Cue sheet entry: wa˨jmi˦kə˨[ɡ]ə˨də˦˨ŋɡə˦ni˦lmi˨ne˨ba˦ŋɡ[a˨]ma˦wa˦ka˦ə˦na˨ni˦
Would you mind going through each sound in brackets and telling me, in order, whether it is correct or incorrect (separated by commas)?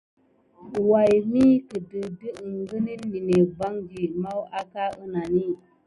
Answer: incorrect, incorrect